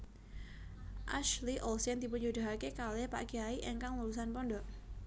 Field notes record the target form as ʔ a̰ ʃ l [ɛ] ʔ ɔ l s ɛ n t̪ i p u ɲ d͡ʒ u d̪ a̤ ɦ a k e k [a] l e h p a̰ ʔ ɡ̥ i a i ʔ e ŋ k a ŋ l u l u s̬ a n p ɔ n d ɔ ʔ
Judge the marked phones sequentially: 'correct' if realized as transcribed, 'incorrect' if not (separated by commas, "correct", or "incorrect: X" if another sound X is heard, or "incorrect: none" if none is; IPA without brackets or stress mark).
incorrect: i, correct